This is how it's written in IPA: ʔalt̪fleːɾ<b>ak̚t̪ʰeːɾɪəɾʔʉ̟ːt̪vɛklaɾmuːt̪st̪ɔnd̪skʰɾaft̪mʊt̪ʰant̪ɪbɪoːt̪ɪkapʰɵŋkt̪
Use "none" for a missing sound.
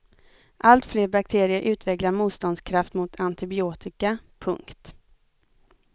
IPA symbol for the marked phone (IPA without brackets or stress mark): b